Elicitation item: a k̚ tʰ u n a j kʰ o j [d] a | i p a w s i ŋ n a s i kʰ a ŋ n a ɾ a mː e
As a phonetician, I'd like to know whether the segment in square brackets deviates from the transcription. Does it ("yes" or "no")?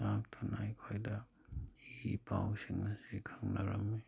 no